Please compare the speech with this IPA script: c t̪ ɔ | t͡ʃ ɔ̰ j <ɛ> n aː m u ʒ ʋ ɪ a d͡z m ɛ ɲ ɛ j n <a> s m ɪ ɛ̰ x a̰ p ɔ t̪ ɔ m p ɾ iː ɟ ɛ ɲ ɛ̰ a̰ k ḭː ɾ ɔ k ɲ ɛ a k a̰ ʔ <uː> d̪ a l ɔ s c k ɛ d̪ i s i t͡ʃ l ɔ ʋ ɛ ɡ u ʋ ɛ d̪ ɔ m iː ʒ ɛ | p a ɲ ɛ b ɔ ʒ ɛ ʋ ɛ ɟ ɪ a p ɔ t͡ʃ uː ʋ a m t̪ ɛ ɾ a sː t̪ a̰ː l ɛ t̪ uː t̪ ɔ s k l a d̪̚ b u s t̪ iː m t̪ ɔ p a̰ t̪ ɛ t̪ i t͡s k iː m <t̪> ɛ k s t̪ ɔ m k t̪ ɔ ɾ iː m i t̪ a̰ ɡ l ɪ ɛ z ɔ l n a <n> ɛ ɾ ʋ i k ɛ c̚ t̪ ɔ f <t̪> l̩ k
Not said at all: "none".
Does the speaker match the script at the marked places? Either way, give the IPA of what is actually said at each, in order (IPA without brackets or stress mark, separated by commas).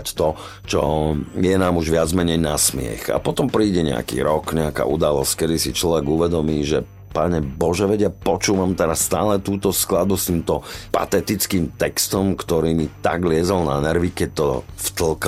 ɛ, a, u, t̪, n, t̪